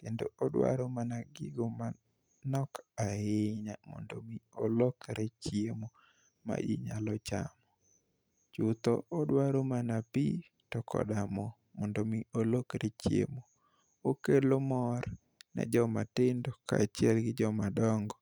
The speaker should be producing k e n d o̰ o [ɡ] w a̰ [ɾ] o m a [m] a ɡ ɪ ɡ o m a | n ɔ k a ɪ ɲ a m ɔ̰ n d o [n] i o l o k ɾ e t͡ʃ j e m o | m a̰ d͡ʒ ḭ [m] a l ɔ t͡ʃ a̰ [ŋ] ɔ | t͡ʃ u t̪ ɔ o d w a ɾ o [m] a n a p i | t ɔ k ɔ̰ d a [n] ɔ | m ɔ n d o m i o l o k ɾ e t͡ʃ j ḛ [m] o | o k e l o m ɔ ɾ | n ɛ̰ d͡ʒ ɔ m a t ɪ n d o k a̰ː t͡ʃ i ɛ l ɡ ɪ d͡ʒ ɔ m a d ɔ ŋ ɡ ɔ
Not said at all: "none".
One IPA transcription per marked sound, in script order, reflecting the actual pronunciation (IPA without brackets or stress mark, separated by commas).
d, ɾ, n, m, ɲ, m, m, m, m